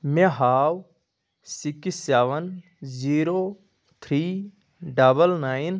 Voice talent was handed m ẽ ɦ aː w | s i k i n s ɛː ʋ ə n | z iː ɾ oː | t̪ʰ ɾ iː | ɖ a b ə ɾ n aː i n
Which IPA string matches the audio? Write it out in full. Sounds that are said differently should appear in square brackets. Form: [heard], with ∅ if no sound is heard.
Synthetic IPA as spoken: m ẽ ɦ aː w | s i k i [∅] s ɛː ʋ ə n | z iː ɾ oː | t̪ʰ ɾ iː | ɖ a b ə [l] n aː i n